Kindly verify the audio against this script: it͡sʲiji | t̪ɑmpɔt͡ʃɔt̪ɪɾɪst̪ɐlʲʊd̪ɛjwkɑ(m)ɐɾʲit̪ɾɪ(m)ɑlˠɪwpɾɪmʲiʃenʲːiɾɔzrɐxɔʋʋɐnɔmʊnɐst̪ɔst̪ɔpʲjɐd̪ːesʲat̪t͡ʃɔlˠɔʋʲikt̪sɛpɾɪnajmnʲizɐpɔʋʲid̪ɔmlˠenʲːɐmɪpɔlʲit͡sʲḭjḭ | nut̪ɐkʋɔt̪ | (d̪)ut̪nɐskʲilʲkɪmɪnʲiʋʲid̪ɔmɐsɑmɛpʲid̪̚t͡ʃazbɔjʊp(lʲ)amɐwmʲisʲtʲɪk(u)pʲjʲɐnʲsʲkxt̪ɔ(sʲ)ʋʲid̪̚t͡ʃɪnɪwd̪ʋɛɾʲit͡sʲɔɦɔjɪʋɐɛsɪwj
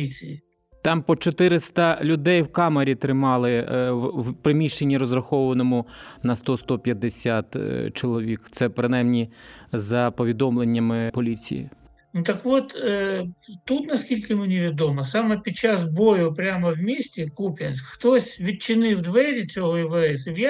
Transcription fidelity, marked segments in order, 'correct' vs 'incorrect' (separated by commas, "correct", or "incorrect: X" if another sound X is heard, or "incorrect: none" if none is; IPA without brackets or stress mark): correct, correct, incorrect: t̪, incorrect: ɾʲ, correct, correct